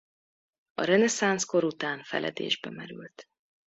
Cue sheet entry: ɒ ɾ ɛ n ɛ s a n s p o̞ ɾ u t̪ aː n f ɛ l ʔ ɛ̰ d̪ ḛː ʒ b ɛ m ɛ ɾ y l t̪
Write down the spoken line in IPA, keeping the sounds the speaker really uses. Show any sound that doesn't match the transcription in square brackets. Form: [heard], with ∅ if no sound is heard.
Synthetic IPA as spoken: ɒ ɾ ɛ n ɛ s a n s [k] o̞ ɾ u t̪ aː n f ɛ l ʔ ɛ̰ d̪ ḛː ʒ b ɛ m ɛ ɾ y l t̪